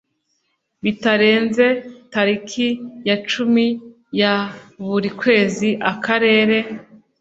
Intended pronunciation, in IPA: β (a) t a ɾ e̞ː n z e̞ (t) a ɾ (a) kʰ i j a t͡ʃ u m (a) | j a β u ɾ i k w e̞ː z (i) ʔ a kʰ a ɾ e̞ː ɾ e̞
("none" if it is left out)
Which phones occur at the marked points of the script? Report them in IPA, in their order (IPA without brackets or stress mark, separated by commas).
i, t, i, i, i